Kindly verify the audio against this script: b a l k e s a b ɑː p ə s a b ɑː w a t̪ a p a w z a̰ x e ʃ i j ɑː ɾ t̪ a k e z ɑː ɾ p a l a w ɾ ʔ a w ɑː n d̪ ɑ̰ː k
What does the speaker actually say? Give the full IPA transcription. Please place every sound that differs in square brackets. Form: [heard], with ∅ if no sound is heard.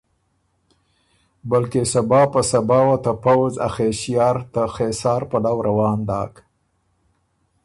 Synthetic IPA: b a l k e s a b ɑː p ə s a b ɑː w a t̪ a p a w z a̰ x e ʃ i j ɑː ɾ t̪ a [x] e [s] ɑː ɾ p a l a w ɾ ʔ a w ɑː n d̪ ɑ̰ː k